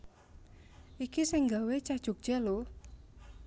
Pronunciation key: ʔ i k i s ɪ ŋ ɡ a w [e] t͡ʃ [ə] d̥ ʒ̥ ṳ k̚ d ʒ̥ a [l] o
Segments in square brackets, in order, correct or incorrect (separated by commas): correct, incorrect, correct